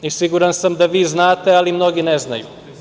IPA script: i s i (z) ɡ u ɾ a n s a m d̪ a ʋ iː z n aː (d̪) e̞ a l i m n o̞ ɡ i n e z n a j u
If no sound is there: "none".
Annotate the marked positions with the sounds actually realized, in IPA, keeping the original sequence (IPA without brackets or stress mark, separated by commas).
none, t̪